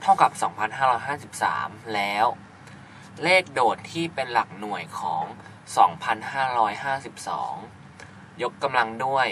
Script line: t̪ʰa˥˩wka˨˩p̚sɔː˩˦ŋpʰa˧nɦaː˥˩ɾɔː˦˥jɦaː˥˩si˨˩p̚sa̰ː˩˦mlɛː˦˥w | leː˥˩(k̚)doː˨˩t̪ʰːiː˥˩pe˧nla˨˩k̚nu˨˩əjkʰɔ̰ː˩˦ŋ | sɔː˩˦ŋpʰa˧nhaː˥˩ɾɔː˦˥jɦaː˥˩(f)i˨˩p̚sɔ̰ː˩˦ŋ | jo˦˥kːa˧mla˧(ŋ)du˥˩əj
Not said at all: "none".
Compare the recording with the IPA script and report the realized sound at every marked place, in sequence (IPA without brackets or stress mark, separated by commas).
k̚, s, ŋ